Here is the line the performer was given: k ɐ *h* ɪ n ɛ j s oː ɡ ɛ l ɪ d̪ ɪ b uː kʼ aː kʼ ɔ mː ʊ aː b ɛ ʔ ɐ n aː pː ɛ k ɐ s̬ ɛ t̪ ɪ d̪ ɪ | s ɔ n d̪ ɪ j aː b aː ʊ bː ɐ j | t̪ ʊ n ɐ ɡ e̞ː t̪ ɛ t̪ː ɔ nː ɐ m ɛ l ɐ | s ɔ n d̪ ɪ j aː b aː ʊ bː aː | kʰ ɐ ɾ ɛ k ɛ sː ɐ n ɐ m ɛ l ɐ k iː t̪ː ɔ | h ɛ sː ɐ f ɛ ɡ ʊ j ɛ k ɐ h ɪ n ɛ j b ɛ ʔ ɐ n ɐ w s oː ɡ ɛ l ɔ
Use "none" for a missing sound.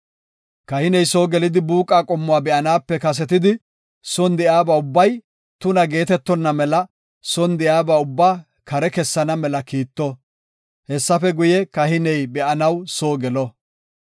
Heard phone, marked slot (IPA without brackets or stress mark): h